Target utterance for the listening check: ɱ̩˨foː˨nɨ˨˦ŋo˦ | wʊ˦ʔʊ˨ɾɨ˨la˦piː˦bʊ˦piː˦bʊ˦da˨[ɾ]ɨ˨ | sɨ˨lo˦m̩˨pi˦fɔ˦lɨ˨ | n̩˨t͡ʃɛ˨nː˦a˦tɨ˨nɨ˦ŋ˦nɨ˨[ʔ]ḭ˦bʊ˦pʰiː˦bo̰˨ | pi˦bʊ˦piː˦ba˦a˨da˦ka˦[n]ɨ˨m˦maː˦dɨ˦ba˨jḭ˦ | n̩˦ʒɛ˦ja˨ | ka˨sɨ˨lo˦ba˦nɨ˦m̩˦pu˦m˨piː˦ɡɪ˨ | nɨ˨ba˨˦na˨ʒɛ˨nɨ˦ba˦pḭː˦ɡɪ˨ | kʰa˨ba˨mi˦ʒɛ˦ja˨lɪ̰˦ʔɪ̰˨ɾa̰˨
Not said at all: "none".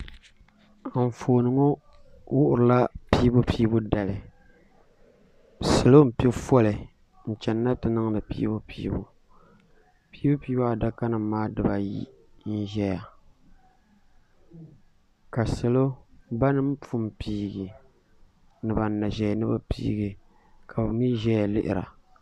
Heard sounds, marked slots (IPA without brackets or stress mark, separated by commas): l, p, n